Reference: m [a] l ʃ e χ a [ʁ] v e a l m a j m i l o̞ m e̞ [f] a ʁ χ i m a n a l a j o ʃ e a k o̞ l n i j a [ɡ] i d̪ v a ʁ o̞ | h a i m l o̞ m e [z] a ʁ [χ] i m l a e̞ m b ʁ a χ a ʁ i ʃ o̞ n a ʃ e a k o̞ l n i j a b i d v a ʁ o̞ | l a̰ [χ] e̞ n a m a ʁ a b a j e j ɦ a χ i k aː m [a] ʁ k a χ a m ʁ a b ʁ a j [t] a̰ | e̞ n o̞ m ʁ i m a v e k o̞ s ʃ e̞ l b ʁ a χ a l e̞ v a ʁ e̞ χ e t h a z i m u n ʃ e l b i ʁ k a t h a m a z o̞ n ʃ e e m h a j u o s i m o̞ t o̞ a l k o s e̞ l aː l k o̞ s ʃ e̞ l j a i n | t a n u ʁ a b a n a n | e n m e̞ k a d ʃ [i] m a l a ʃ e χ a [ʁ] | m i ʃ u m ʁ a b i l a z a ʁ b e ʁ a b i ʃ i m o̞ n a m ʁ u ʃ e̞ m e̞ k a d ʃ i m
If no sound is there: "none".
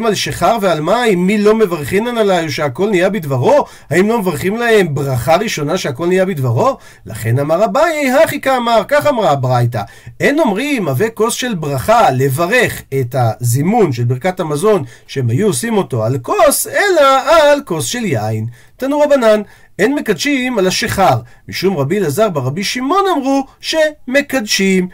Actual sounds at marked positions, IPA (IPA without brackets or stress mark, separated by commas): a, ʁ, v, b, v, χ, χ, a, t, i, ʁ